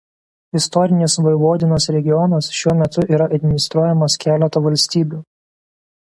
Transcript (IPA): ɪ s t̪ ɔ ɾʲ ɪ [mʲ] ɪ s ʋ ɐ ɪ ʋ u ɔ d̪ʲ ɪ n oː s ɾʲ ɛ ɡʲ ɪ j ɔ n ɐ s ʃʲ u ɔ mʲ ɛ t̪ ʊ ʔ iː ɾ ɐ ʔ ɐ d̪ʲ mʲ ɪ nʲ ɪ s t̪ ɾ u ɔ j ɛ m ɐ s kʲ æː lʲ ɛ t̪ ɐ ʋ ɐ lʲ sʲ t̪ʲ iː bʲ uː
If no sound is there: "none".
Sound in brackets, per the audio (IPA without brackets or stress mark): nʲ